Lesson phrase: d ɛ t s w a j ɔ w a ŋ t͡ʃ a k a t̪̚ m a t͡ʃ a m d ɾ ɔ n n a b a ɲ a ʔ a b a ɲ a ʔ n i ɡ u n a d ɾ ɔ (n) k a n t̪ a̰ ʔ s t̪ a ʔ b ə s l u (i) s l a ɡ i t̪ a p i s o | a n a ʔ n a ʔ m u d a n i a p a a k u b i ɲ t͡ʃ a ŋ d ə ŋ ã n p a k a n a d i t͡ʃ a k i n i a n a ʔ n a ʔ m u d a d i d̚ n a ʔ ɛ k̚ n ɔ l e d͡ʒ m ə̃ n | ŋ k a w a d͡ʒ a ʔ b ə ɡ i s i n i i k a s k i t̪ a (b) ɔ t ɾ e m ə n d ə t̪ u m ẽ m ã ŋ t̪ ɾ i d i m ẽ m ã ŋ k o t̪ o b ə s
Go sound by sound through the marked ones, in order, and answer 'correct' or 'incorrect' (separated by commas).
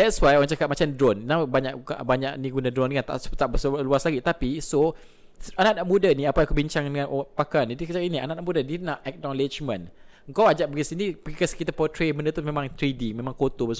correct, incorrect, incorrect